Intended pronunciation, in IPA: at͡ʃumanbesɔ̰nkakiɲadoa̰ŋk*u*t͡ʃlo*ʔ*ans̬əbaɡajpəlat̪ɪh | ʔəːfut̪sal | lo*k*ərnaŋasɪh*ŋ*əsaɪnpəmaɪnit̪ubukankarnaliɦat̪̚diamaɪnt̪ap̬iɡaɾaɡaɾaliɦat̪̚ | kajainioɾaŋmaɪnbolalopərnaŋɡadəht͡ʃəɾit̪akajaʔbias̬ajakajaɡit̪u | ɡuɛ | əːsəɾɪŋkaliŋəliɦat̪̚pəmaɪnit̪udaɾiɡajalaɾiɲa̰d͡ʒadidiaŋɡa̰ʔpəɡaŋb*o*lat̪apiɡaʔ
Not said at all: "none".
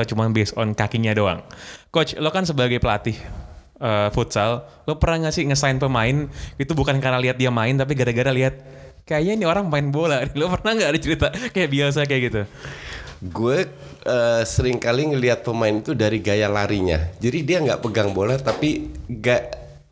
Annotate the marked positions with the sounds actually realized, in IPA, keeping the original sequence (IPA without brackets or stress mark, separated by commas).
o, k, p, ŋ, o